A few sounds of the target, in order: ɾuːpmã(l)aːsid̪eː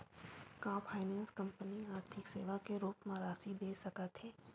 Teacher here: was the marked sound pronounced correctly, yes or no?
no